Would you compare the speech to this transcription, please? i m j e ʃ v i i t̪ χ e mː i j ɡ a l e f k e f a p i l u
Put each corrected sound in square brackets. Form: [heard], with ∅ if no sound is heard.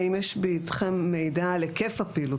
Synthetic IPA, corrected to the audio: i m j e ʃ [b] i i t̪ χ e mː [e] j [d] a l e [∅] k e f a p i l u